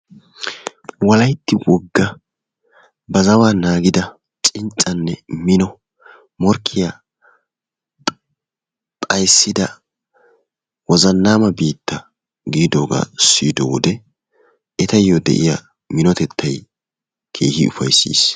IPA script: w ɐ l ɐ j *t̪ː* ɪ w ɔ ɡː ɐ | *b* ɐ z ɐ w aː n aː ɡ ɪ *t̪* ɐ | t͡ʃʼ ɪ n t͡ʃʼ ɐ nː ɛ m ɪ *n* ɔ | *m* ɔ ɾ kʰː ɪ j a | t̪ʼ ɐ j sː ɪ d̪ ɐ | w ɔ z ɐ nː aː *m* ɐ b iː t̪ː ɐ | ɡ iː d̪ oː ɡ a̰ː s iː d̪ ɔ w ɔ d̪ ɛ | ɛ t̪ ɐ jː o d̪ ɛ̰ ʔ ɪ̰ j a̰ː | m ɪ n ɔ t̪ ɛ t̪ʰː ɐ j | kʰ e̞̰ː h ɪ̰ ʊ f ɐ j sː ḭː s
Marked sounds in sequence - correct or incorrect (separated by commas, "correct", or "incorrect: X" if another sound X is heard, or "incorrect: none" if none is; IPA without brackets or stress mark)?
correct, correct, incorrect: d̪, correct, correct, correct